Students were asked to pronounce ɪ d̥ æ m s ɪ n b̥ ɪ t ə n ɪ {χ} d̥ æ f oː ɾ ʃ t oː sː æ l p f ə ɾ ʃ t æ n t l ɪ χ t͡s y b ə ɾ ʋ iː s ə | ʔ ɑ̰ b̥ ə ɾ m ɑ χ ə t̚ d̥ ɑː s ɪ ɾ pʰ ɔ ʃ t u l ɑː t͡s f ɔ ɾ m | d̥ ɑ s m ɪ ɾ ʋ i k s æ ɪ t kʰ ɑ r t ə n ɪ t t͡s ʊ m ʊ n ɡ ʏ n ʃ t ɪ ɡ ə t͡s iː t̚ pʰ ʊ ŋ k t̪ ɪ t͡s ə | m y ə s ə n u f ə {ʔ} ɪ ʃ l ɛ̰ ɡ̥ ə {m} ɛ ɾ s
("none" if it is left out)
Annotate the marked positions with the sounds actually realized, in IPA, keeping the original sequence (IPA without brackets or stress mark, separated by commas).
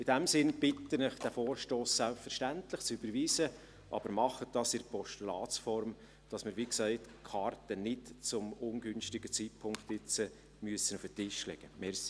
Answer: χ, t, m